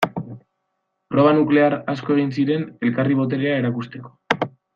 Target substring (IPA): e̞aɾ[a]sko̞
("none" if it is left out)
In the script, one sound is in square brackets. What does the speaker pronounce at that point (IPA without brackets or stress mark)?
a